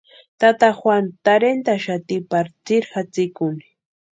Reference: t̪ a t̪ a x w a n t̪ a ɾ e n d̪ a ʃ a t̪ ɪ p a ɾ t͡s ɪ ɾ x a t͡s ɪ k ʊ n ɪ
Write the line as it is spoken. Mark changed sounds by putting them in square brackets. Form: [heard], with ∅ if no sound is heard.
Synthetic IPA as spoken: t̪ a t̪ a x w a n t̪ a ɾ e n [t̪] a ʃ a t̪ ɪ p a ɾ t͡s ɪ ɾ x a t͡s ɪ k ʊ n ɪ